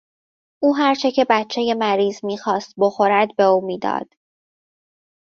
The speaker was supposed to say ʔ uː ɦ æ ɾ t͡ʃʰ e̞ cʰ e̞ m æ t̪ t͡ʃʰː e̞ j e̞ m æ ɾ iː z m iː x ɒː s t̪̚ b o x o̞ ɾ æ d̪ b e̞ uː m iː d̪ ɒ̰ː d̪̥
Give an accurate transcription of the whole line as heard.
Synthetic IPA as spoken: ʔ uː ɦ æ ɾ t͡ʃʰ e̞ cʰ e̞ b æ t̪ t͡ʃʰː e̞ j e̞ m æ ɾ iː z m iː x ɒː s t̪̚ b o x o̞ ɾ æ d̪ b e̞ uː m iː d̪ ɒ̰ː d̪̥

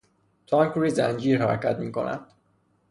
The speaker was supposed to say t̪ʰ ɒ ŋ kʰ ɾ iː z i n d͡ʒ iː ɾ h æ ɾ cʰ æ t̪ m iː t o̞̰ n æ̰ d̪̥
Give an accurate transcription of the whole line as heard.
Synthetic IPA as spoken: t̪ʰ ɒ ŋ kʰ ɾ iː z æ n d͡ʒ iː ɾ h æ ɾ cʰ æ t̪ m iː k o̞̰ n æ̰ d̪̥

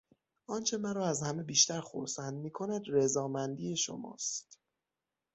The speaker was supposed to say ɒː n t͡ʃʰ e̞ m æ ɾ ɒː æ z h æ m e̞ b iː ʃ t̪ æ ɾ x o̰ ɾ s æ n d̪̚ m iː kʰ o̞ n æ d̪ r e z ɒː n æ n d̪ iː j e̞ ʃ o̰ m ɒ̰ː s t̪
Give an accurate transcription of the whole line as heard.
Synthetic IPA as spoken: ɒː n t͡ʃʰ e̞ m æ ɾ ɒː æ z h æ m e̞ b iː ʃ t̪ æ ɾ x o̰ ɾ s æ n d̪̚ m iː kʰ o̞ n æ d̪ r e z ɒː m æ n d̪ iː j e̞ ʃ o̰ m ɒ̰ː s t̪

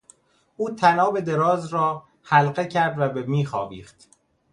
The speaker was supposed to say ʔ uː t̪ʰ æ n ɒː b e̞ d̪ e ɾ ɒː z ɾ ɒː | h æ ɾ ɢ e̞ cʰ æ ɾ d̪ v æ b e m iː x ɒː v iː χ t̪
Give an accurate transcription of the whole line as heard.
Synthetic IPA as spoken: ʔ uː t̪ʰ æ n ɒː b e̞ d̪ e ɾ ɒː z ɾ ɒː | h æ l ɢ e̞ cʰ æ ɾ d̪ v æ b e m iː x ɒː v iː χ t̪

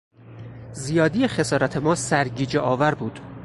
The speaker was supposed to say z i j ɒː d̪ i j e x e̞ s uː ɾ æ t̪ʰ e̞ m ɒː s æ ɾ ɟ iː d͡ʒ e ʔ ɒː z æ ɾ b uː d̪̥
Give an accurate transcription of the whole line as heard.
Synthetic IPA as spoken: z i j ɒː d̪ i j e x e̞ s ɒː ɾ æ t̪ʰ e̞ m ɒː s æ ɾ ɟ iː d͡ʒ e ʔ ɒː v æ ɾ b uː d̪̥

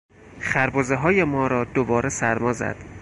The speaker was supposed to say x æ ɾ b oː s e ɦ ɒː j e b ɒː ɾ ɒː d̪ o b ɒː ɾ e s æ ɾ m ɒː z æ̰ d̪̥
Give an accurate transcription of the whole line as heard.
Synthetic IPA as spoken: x æ ɾ b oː z e ɦ ɒː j e m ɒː ɾ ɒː d̪ o b ɒː ɾ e s æ ɾ m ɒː z æ̰ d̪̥

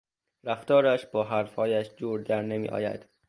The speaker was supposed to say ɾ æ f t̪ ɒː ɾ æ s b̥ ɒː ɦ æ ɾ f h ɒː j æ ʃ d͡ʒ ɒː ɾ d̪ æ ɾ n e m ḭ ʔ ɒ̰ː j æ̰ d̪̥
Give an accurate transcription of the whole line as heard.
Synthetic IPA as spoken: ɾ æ f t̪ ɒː ɾ æ ʃ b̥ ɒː ɦ æ ɾ f h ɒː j æ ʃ d͡ʒ uː ɾ d̪ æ ɾ n e m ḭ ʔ ɒ̰ː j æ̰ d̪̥

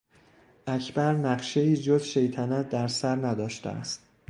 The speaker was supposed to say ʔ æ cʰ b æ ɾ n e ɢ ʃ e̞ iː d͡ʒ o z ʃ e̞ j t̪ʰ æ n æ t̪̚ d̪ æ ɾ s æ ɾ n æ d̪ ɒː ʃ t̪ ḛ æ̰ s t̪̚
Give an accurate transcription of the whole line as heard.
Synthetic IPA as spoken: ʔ æ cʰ b æ ɾ n æ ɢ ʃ e̞ iː d͡ʒ o z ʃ e̞ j t̪ʰ æ n æ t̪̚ d̪ æ ɾ s æ ɾ n æ d̪ ɒː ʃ t̪ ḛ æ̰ s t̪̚

